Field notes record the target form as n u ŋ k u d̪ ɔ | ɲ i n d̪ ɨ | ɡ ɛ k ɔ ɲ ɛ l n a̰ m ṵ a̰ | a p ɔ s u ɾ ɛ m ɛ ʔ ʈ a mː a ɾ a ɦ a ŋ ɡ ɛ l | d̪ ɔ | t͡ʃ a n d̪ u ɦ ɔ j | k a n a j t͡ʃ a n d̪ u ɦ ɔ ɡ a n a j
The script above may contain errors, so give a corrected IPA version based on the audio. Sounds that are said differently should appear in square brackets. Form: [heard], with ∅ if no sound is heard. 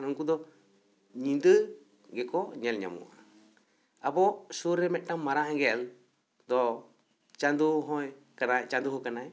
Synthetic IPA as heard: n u ŋ k u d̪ ɔ | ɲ i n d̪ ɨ | ɡ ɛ k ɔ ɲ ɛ l [ɲ] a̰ m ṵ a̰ | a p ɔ s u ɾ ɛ m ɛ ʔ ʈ a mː a ɾ a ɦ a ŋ ɡ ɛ l | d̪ ɔ | t͡ʃ a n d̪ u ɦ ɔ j | k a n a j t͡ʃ a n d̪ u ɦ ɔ [k] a n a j